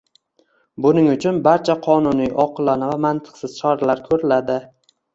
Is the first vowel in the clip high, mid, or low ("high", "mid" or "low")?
high